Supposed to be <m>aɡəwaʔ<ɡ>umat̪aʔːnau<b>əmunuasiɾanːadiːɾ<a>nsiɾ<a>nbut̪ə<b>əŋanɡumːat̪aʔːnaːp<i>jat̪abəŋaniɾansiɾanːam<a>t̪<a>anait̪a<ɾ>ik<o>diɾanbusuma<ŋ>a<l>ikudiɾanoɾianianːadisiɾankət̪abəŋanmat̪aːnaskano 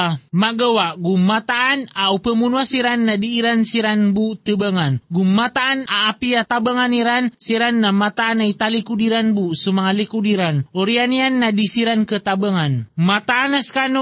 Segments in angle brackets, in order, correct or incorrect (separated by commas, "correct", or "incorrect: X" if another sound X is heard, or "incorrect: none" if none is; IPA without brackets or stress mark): correct, correct, incorrect: p, correct, correct, correct, correct, correct, correct, incorrect: l, incorrect: u, correct, correct